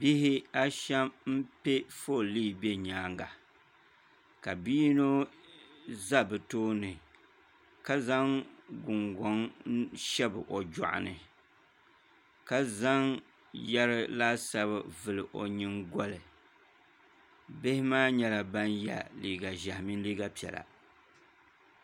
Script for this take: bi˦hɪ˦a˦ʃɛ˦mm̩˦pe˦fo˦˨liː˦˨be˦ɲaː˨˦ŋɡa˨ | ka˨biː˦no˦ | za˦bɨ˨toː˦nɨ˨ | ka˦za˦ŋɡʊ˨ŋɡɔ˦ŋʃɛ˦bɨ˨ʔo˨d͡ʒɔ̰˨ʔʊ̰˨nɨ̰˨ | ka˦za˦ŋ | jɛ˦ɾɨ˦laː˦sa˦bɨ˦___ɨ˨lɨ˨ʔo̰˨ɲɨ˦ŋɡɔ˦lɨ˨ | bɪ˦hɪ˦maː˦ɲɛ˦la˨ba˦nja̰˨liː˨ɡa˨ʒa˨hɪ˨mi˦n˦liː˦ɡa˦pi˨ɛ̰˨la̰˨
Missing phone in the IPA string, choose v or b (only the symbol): v